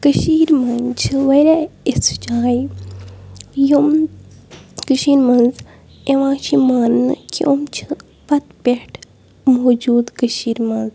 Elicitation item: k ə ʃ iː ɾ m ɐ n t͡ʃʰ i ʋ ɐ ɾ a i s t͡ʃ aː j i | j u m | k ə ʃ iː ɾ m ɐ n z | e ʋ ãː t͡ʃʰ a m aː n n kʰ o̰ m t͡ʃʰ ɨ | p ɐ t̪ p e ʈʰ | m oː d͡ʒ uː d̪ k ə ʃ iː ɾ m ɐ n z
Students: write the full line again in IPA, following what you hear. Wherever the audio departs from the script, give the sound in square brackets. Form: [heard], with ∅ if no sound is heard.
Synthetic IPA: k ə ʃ iː ɾ m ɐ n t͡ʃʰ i ʋ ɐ ɾ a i s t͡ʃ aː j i | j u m | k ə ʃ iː ɾ m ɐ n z | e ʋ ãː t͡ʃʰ [i] m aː n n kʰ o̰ m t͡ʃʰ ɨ | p ɐ t̪ p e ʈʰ | m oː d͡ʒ uː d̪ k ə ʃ iː ɾ m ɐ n z